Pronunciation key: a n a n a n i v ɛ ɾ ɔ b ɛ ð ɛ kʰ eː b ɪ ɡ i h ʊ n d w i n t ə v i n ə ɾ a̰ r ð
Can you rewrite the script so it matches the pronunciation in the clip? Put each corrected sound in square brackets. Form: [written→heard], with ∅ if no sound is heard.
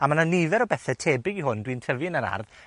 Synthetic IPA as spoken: a [n→m] a n a n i v ɛ ɾ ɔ b ɛ [ð→θ] ɛ [kʰ→tʰ] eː b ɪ ɡ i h ʊ n d w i n [t→tʰ] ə v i n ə ɾ a̰ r ð